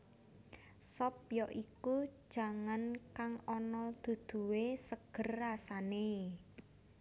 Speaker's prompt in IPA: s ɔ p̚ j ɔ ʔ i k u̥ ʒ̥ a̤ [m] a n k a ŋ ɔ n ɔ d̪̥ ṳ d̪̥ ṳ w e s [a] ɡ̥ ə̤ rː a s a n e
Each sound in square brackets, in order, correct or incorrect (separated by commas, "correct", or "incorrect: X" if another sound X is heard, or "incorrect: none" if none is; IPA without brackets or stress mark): incorrect: ŋ, incorrect: ə